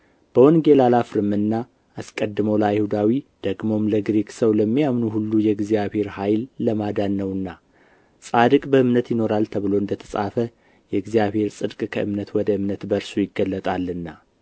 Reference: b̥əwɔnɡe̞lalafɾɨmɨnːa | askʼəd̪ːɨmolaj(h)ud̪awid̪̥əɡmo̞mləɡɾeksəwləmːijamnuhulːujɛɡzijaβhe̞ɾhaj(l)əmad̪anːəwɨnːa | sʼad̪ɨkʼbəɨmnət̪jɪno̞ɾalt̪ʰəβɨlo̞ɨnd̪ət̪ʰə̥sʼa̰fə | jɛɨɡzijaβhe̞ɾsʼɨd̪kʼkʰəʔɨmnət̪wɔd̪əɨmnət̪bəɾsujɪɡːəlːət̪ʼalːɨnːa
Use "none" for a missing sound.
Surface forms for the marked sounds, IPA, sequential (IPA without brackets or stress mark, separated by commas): h, lː